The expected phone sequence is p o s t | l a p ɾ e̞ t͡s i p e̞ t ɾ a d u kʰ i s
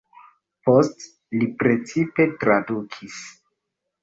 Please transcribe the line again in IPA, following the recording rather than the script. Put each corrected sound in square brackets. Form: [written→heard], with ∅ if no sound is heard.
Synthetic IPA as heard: p o s t | l [a→i] p ɾ e̞ t͡s i p e̞ t ɾ a d u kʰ i s